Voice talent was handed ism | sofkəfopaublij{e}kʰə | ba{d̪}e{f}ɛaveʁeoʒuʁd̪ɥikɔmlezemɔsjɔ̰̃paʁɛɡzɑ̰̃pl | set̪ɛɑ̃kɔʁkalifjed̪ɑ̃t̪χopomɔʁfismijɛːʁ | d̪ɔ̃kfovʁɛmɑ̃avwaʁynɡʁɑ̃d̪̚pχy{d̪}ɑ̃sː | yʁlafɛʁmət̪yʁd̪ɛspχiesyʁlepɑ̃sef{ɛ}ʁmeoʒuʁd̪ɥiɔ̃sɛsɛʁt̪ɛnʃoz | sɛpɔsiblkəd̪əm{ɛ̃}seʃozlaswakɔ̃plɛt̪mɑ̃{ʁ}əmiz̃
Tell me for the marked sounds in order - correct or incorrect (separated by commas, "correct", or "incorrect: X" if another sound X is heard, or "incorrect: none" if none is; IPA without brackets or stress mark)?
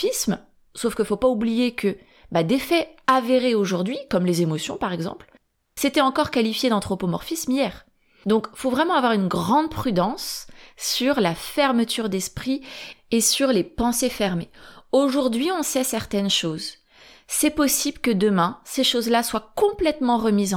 correct, correct, correct, correct, correct, correct, correct